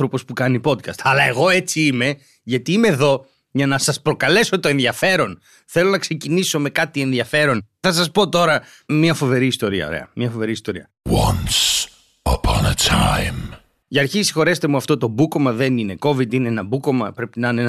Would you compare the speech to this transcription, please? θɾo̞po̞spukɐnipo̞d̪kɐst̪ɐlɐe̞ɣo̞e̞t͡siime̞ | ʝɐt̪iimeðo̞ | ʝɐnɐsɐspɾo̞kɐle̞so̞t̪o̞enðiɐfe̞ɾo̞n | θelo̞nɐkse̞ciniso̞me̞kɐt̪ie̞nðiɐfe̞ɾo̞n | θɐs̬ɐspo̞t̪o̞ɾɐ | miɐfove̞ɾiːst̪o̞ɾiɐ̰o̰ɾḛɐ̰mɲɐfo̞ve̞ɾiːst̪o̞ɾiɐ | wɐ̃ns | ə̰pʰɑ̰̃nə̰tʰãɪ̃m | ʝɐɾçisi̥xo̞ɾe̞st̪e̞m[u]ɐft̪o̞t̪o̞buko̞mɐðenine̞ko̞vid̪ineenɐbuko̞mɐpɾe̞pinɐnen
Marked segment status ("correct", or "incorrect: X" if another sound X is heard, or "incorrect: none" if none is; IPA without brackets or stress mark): correct